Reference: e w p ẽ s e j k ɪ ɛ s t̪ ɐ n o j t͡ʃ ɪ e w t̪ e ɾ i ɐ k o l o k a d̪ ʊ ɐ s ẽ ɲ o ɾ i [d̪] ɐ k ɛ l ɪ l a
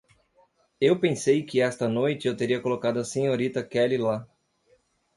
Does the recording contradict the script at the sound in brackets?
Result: yes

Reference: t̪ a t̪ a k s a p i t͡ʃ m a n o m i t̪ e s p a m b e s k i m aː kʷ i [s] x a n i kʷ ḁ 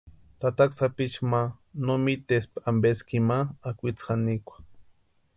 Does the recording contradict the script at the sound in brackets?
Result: yes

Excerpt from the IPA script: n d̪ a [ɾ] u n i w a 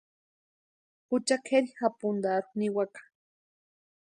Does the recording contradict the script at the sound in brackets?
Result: no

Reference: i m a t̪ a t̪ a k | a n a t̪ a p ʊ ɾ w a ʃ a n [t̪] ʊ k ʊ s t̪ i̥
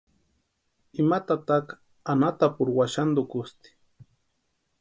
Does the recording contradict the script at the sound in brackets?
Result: yes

